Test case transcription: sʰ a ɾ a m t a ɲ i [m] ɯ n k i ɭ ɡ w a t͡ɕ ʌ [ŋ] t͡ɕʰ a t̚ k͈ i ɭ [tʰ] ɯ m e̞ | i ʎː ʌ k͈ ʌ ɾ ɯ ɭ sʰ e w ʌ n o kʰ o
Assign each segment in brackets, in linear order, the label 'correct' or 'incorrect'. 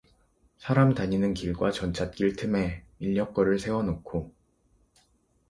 incorrect, incorrect, correct

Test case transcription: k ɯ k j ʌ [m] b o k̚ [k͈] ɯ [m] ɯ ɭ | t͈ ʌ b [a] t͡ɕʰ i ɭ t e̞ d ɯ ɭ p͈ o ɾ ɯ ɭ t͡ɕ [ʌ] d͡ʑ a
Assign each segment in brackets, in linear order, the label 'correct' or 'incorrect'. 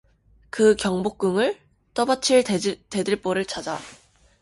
incorrect, correct, incorrect, correct, incorrect

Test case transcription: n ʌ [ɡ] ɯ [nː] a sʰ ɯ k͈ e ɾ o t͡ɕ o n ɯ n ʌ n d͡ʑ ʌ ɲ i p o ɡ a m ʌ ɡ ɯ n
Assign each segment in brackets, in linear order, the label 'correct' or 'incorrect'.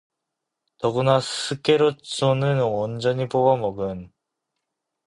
correct, incorrect

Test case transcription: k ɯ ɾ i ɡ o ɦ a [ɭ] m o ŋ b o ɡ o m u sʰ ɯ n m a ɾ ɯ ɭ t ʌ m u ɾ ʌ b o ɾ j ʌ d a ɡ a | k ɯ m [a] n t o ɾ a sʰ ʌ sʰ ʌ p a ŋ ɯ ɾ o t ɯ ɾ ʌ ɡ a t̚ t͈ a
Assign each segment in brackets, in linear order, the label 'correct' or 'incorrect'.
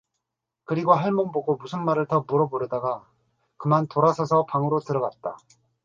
correct, correct

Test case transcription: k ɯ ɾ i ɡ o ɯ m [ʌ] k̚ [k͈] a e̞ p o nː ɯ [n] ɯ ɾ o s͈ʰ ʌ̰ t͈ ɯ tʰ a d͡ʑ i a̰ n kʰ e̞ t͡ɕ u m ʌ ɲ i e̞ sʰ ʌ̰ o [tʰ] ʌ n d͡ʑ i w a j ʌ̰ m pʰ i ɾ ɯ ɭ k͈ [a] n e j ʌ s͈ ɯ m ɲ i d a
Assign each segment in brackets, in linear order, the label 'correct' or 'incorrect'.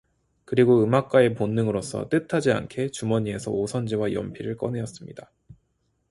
incorrect, correct, incorrect, incorrect, incorrect

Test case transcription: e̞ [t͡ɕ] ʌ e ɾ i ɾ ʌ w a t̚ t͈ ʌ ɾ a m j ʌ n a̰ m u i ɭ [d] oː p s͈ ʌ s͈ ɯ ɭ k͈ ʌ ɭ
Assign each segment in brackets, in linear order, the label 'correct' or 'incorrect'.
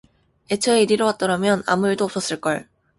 incorrect, correct

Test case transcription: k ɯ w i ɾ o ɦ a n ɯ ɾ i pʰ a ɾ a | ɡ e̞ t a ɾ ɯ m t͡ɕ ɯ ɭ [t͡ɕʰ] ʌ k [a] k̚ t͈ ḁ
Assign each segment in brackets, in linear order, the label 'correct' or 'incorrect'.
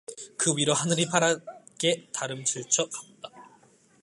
correct, correct

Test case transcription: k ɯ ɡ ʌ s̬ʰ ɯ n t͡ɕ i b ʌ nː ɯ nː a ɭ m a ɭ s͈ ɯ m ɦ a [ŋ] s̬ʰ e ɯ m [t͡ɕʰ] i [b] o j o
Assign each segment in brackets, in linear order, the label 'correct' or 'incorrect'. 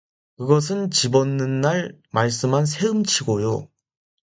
incorrect, correct, incorrect

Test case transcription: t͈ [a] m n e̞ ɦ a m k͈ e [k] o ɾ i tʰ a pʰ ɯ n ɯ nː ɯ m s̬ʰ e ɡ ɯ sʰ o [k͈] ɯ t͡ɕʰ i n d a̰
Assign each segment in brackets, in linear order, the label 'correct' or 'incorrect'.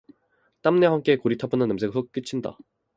correct, correct, correct

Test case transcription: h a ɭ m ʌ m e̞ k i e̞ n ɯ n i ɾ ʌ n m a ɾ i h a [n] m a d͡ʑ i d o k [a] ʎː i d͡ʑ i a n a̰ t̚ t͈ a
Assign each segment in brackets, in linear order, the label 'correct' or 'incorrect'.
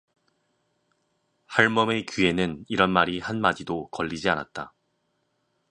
correct, incorrect

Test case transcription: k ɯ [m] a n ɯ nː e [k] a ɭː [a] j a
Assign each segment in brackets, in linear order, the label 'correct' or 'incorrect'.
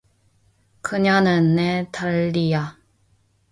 incorrect, incorrect, incorrect

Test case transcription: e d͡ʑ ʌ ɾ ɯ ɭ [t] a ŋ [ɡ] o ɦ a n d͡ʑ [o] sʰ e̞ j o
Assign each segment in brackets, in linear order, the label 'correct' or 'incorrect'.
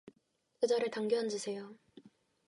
correct, correct, incorrect

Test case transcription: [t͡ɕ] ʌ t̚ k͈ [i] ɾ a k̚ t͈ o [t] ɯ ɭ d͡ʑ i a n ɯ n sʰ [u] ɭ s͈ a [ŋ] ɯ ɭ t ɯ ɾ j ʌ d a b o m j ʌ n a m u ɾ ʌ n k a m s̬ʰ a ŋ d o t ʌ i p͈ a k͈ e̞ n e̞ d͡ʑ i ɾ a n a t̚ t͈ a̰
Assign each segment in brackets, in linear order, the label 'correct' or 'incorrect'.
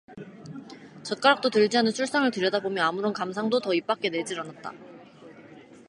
correct, incorrect, correct, correct, correct

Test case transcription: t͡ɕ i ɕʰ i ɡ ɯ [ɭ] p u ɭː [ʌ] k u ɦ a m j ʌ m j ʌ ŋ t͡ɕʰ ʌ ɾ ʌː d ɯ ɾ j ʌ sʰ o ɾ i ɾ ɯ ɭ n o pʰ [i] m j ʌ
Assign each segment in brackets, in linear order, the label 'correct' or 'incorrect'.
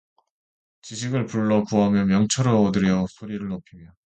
correct, correct, correct

